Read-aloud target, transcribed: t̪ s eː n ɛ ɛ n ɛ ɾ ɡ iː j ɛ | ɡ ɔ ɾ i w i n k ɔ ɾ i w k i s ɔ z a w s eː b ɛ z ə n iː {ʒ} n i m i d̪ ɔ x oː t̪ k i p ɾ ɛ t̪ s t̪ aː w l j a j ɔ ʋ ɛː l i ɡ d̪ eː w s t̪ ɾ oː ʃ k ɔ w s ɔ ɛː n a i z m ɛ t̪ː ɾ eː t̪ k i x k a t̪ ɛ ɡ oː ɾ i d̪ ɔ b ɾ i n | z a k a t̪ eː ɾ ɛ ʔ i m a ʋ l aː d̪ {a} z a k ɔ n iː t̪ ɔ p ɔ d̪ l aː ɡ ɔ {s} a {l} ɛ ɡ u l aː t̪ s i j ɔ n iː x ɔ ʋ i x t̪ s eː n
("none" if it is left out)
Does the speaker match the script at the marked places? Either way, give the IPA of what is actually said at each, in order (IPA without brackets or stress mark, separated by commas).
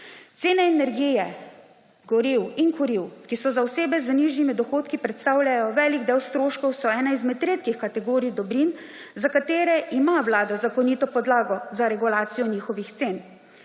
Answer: ʒ, a, z, ɾ